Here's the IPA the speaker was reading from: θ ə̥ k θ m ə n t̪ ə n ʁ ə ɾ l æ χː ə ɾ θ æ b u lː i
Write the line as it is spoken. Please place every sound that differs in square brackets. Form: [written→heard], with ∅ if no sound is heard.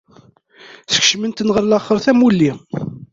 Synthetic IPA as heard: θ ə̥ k [θ→ʃ] m ə n t̪ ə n ʁ ə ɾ l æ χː ə ɾ θ æ [b→m] u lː i